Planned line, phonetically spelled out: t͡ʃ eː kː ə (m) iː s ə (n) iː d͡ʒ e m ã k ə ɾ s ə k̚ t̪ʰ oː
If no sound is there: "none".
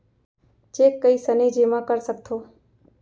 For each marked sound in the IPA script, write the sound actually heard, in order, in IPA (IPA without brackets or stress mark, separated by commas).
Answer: none, n